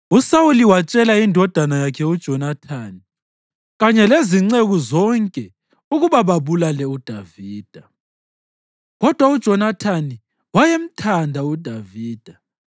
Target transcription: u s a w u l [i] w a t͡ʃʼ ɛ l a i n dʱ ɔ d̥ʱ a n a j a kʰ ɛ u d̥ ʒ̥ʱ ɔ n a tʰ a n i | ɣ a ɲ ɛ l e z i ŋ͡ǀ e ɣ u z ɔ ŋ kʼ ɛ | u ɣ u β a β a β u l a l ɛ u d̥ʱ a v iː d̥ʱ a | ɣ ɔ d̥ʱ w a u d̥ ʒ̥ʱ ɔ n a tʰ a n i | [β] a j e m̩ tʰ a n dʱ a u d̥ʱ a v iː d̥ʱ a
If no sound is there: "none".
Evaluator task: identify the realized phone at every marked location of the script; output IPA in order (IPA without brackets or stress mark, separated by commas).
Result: i, w